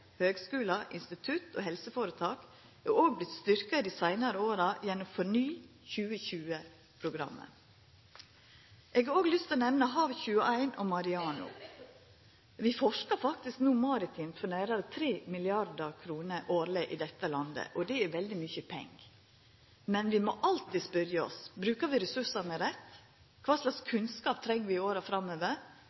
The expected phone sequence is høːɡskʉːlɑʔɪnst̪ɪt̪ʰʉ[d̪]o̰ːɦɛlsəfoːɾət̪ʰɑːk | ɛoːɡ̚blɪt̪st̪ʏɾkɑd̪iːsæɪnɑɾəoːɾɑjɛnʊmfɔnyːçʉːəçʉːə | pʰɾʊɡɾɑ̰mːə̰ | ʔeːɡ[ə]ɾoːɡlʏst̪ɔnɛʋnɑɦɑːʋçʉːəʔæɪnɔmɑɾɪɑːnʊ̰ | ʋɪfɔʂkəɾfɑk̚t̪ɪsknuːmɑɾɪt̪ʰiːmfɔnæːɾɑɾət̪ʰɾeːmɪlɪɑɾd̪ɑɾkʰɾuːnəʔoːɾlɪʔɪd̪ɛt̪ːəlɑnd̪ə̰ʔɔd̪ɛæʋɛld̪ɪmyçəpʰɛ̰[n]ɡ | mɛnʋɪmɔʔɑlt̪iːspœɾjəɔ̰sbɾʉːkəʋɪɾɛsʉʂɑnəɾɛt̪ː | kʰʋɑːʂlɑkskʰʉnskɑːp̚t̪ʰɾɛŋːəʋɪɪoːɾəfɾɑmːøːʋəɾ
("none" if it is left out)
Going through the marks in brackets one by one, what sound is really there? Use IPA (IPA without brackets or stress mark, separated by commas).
t̪, ɑ, ŋ